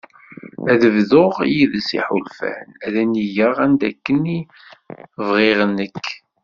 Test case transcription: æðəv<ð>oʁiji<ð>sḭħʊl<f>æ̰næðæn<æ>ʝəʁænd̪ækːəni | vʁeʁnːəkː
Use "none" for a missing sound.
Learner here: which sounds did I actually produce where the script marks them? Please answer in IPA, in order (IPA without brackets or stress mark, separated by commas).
ð, ð, f, i